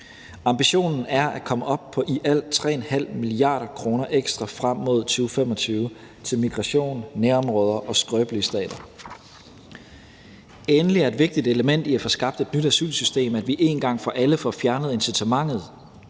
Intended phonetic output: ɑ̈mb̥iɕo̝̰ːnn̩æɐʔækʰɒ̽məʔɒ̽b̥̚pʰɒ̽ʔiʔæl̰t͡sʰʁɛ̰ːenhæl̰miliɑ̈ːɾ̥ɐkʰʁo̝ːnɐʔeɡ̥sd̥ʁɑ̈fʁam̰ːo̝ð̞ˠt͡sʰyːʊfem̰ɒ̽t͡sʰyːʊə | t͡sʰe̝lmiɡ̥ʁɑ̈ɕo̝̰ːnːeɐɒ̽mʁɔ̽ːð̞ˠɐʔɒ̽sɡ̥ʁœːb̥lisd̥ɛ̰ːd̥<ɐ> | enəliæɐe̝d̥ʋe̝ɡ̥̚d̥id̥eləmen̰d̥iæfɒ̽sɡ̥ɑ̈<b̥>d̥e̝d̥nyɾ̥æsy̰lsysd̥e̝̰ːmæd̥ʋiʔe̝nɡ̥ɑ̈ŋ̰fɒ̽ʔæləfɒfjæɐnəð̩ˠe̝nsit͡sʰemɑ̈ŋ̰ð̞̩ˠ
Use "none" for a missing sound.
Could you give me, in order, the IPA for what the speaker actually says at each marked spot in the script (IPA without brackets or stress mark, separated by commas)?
ɐ, b̥